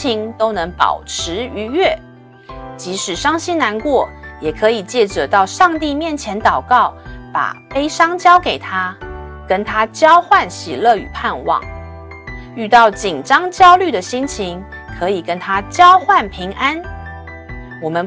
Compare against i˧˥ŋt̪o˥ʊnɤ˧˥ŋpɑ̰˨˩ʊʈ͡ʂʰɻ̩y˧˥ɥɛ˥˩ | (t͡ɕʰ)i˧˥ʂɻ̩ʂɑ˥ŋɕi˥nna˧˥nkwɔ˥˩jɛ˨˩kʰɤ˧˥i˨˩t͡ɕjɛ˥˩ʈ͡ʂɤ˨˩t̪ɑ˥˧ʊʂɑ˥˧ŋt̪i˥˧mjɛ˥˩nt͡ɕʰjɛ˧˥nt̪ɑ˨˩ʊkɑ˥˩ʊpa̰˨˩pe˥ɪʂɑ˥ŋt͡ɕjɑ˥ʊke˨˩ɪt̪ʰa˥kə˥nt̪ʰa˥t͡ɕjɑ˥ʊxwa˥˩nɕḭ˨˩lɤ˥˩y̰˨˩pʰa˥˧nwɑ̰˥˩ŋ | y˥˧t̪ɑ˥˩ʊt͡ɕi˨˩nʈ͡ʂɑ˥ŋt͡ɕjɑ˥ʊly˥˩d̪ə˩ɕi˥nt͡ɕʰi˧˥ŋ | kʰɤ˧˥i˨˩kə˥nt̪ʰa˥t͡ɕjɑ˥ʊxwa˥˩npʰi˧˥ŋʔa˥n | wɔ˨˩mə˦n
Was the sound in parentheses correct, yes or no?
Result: no